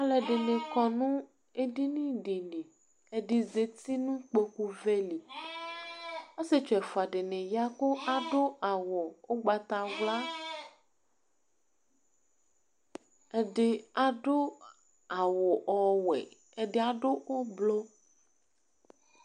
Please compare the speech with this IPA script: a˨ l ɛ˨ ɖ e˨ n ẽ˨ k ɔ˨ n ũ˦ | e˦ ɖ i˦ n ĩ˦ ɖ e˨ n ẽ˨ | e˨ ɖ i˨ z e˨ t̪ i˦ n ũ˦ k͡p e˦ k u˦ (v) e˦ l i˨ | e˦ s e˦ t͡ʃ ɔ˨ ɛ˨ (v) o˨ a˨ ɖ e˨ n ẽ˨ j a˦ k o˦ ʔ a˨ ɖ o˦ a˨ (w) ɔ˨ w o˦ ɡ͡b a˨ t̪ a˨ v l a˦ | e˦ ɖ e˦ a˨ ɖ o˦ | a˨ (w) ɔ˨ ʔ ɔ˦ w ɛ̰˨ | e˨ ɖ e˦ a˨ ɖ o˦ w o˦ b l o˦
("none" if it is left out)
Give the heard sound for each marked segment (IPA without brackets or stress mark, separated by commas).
v, f, w, w